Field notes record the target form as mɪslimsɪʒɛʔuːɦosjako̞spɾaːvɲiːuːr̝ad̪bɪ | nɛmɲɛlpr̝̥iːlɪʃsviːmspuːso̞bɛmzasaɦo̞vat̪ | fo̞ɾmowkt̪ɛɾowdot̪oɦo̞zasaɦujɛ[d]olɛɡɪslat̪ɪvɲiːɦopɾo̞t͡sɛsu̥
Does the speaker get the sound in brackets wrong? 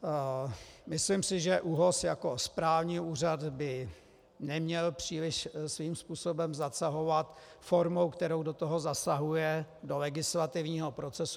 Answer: no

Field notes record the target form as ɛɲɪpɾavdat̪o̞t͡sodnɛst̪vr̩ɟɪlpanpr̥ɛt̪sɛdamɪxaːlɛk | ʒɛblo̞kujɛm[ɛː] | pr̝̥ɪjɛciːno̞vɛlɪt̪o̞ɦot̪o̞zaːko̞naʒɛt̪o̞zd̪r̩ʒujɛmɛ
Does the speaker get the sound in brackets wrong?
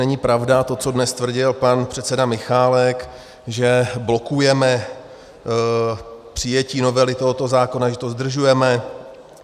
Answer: yes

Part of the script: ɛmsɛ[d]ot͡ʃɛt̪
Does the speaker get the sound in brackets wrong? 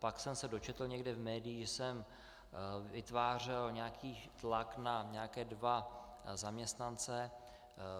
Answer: no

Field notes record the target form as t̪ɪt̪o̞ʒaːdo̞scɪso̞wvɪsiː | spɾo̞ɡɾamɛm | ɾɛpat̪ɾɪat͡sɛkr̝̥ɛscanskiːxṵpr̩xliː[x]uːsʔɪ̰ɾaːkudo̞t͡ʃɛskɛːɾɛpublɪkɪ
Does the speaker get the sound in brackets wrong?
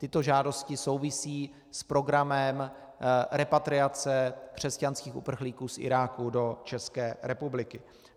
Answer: yes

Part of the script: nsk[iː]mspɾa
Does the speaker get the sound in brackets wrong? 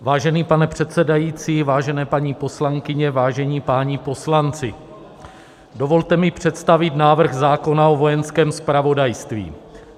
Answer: yes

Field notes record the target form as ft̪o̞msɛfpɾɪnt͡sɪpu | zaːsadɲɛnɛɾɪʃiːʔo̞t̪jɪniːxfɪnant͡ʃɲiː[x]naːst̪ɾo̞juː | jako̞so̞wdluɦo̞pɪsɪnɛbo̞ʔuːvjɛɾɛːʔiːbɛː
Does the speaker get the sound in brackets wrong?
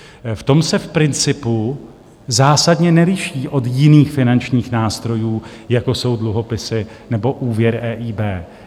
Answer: no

